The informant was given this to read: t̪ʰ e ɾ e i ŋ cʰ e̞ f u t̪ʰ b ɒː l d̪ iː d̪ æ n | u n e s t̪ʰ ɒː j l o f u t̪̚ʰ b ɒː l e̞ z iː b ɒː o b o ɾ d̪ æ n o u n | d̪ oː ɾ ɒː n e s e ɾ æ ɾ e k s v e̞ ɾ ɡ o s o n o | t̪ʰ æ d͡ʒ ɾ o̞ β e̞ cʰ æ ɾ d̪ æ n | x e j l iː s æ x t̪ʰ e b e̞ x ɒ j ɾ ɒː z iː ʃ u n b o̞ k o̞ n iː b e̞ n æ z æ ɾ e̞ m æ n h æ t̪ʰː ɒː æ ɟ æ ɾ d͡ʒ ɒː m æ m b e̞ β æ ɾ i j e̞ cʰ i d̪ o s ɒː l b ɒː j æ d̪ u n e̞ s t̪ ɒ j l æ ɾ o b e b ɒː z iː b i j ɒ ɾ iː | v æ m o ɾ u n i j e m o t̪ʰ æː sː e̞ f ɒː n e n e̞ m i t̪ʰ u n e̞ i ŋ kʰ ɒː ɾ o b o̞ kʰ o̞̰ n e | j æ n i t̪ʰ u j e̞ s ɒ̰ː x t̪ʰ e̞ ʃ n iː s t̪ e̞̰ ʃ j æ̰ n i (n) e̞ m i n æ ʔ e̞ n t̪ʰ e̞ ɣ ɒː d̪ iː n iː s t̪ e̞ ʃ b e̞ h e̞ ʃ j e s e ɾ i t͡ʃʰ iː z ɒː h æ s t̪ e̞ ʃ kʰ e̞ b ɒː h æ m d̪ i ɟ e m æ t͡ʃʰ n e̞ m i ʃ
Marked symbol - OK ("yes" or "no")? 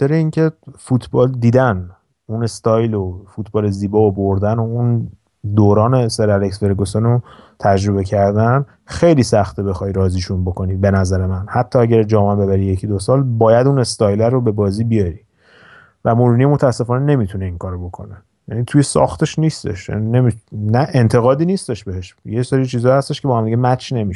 yes